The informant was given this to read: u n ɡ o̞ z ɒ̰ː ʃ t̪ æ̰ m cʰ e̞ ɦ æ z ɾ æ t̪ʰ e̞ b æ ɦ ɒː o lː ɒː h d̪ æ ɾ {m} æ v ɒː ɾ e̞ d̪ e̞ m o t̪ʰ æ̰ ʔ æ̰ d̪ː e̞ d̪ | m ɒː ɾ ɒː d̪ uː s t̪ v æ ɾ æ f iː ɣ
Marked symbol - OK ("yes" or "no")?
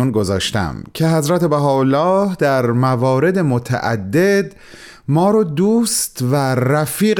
yes